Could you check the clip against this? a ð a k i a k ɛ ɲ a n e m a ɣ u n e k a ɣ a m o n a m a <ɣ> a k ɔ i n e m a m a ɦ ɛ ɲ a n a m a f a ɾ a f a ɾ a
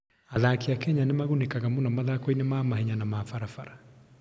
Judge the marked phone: incorrect: ð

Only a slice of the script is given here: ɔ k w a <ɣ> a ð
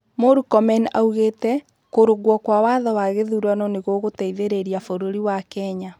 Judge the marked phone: incorrect: w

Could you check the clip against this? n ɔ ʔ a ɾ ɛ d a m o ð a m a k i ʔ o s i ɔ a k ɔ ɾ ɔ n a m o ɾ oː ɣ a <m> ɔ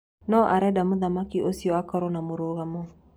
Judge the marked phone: correct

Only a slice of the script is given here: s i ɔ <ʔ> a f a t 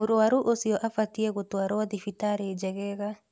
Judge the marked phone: correct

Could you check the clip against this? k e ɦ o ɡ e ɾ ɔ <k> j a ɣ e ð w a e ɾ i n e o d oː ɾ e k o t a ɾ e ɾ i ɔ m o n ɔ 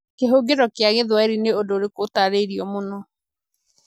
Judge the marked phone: correct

